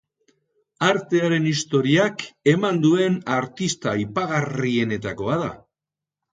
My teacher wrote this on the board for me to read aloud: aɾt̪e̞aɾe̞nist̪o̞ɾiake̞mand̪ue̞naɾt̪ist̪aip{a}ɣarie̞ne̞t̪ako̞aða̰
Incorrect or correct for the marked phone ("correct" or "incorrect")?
correct